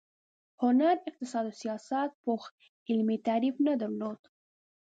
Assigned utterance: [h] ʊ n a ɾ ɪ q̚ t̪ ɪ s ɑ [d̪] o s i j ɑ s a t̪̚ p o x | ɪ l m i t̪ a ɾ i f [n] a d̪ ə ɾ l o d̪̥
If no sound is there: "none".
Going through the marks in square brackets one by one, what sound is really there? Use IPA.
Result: h, d̪, n

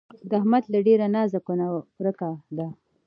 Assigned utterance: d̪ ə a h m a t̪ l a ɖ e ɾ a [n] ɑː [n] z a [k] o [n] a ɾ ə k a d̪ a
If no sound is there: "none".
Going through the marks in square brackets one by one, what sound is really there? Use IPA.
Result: n, none, k, n

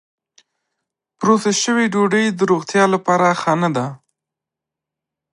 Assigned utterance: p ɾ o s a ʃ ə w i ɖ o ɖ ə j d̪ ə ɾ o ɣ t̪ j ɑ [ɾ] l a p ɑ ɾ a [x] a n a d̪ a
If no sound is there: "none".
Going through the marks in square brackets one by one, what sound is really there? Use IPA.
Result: none, x

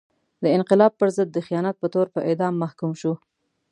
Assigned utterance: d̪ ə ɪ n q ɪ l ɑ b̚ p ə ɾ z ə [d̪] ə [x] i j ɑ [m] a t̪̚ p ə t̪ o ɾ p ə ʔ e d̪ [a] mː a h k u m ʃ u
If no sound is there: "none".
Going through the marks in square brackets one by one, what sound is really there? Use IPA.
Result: d̪ː, x, n, ɑ

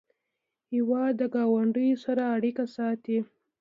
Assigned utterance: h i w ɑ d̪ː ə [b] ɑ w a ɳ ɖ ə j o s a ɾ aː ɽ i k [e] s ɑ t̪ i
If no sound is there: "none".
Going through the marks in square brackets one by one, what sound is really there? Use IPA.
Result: ɡ, a

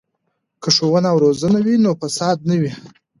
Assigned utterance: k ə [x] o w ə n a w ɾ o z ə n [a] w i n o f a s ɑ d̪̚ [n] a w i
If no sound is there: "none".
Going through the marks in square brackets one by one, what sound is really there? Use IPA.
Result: ʂ, a, n

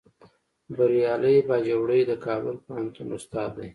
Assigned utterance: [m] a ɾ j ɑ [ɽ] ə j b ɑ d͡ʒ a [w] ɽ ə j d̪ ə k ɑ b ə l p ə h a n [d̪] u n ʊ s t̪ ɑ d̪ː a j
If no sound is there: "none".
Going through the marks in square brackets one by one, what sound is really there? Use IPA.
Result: b, l, w, t̪

